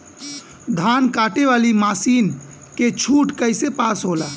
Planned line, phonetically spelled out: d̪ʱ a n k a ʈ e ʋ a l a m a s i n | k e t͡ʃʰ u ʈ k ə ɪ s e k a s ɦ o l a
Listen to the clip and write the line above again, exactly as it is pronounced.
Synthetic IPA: d̪ʱ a n k a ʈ e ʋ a l i m a s i n | k e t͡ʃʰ u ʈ k ə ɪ s e p a s ɦ o l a